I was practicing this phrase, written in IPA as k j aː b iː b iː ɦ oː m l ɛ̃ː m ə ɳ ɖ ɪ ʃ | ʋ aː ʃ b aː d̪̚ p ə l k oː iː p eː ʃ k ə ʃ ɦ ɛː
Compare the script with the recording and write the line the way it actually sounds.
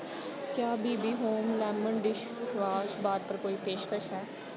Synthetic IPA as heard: k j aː b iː b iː ɦ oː m l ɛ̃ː m ə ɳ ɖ ɪ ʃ | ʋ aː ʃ b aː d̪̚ p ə ɾ k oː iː p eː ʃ k ə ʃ ɦ ɛː